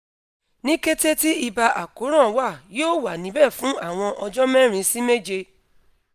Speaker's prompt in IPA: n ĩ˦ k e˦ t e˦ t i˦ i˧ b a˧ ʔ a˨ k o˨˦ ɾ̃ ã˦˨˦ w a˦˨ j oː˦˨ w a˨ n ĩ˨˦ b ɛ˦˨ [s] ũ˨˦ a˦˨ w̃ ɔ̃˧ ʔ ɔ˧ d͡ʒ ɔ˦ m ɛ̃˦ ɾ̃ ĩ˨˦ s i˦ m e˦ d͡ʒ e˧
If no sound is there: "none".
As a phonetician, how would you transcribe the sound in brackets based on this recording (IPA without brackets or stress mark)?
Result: f